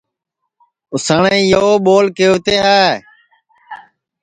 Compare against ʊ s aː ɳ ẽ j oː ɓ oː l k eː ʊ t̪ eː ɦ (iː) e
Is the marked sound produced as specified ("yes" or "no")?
no